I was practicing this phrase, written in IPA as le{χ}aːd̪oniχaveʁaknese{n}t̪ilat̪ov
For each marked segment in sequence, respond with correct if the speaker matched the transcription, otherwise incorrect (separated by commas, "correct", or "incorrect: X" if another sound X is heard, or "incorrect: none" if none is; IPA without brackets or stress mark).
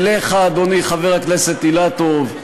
correct, incorrect: none